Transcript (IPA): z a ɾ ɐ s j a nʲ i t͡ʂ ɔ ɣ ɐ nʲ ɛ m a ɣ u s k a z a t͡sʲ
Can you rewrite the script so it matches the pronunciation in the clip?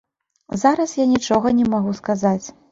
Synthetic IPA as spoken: z a ɾ ɐ s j a nʲ i t͡ʂ ɔ ɣ ɐ nʲ ɛ m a ɣ u s k a z a t͡sʲ